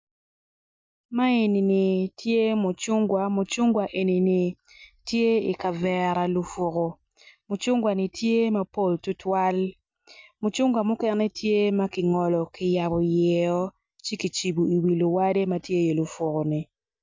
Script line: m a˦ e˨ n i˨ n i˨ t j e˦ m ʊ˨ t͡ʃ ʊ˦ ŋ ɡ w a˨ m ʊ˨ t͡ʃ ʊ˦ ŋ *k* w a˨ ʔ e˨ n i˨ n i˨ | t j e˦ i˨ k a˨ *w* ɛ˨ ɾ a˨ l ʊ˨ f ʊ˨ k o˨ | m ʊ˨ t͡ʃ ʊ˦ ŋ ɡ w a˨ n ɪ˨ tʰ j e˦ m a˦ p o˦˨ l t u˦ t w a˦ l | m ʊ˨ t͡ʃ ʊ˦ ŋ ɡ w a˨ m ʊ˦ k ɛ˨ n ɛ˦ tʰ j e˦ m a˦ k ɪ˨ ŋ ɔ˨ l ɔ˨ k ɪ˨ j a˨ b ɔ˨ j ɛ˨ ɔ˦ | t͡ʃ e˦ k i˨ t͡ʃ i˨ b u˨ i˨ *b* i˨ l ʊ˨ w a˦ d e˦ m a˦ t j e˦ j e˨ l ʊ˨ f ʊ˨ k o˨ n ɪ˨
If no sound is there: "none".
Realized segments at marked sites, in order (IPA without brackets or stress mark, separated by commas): ɡ, v, w